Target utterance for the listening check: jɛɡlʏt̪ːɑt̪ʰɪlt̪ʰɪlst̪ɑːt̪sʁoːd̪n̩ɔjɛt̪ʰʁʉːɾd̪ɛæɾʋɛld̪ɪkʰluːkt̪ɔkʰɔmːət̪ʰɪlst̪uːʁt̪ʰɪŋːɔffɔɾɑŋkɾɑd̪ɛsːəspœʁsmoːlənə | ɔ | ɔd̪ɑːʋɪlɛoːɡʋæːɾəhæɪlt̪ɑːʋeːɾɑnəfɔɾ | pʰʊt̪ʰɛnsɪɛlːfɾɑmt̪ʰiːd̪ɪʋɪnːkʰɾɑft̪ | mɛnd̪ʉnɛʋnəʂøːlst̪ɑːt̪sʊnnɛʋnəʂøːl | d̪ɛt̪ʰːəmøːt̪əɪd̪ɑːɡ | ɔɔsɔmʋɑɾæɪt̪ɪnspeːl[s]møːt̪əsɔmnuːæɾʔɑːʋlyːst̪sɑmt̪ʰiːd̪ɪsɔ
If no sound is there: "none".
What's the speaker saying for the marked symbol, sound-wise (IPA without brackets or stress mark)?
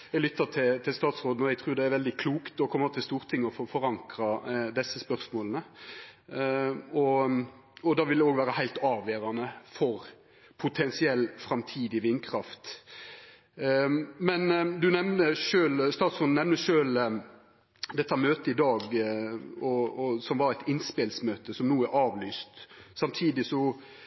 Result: s